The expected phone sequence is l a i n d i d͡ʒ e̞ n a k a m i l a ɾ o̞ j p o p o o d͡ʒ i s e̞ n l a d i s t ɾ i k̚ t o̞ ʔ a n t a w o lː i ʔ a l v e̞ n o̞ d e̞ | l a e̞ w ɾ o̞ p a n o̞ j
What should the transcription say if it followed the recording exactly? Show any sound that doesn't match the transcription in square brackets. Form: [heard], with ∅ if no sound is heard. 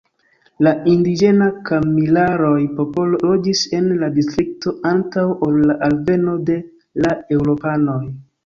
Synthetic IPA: l a i n d i d͡ʒ e̞ n a k a m i l a ɾ o̞ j p o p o o d͡ʒ i s e̞ n l a d i s t ɾ i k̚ t o̞ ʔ a n t a w o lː [a] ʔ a l v e̞ n o̞ d e̞ | l a e̞ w ɾ o̞ p a n o̞ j